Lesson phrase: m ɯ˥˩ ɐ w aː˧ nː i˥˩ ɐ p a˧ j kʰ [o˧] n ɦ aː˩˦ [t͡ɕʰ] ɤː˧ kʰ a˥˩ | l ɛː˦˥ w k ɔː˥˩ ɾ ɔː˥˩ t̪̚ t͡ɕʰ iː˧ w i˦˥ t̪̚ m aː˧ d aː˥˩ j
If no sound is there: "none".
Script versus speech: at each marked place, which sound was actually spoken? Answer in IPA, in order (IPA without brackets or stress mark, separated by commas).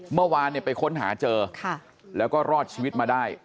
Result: o˦˥, t͡ɕ